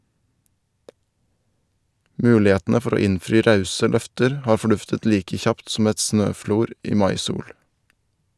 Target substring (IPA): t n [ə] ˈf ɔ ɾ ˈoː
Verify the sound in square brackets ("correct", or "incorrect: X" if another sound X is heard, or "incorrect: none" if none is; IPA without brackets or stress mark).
correct